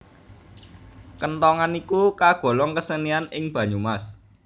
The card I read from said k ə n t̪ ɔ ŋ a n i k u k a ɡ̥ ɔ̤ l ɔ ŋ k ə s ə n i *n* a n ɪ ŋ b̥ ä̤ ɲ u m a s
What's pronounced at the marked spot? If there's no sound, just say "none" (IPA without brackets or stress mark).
none